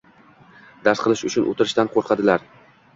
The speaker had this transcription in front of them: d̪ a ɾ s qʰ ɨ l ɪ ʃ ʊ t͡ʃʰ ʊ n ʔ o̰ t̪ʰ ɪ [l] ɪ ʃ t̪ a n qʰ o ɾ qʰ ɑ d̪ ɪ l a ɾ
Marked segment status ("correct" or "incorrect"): incorrect